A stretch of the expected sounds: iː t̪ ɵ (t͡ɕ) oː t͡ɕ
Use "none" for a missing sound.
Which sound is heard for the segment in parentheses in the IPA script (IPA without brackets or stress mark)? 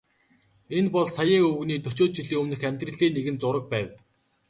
t͡ɕ